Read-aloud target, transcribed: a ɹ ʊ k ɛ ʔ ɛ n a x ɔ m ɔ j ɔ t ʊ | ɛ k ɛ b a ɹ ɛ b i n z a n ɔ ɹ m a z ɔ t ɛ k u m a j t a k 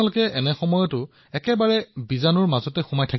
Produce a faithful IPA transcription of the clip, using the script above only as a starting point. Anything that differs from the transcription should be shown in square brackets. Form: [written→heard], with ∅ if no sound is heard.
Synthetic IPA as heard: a [ɹ→l] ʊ k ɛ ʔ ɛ n [a→ɛ] x ɔ m ɔ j ɔ t ʊ | ɛ k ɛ b a ɹ ɛ b i [n→∅] z a n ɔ ɹ m a z ɔ t ɛ [k→x] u m a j [t→tʰ] a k